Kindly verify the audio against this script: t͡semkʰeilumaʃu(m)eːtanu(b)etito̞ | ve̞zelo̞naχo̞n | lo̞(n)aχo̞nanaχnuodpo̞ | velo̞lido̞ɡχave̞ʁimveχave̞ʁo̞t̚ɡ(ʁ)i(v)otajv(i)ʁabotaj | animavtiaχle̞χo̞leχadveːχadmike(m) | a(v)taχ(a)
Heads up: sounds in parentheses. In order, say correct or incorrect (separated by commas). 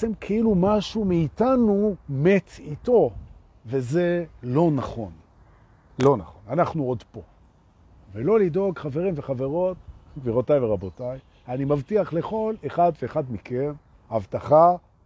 correct, incorrect, correct, incorrect, incorrect, incorrect, incorrect, correct, correct